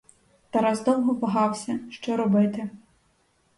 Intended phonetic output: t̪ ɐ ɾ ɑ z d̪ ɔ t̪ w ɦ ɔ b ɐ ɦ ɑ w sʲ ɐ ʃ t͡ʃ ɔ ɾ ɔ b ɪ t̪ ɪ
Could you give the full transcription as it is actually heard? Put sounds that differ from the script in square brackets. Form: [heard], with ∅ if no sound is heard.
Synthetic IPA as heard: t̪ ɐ ɾ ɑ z d̪ ɔ [∅] w ɦ ɔ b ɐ ɦ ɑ w sʲ ɐ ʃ t͡ʃ ɔ ɾ ɔ b ɪ t̪ ɪ